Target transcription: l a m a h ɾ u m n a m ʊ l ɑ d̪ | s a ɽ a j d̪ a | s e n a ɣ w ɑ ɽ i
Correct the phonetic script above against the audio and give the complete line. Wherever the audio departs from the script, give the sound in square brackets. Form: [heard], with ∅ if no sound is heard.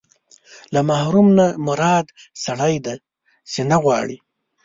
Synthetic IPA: l a m a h ɾ u m n a m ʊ [ɾ] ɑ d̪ | s a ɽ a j d̪ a | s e n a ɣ w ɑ ɽ i

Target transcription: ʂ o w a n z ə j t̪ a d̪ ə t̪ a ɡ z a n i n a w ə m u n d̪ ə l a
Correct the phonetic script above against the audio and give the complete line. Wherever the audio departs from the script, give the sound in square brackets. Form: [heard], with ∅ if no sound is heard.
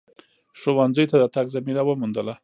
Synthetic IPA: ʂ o w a n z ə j t̪ a d̪ ə t̪ a ɡ z a [m] i n a w ə m u n d̪ ə l a

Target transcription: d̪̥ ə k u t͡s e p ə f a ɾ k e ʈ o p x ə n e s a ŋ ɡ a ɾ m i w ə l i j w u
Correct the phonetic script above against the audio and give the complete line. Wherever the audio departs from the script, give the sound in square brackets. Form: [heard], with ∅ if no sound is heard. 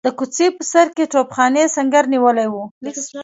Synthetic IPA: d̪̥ ə k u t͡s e p ə [s] a ɾ k e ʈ o p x [ɑ] n e s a ŋ ɡ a ɾ [n] i w ə l [a] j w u

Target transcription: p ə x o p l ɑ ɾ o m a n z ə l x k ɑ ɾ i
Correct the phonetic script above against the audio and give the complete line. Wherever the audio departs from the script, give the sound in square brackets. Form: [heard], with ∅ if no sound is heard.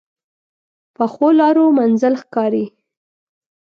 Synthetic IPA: p ə x o [∅] l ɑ ɾ o m a n z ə l x k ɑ ɾ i

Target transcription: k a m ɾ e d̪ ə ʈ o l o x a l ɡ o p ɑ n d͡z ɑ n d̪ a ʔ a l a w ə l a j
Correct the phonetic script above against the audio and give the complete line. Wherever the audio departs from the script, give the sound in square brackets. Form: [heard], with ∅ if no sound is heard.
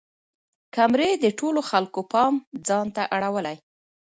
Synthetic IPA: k a m ɾ e d̪ ə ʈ o l o x a l [k] o p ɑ [m] d͡z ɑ n [t̪] a ʔ a [ɽ] a w ə l a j

